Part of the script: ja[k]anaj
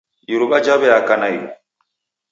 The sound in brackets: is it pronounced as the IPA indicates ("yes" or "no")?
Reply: yes